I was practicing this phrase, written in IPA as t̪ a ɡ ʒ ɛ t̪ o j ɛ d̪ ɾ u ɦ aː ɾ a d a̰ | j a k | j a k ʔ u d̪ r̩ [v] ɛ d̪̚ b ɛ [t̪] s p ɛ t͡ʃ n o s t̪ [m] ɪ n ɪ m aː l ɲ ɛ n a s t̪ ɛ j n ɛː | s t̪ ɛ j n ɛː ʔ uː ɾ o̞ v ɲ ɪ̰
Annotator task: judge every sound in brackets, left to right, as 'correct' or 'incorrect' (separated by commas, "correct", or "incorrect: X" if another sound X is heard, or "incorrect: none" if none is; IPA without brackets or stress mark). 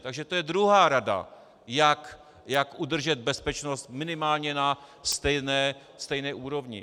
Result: incorrect: ʒ, incorrect: none, correct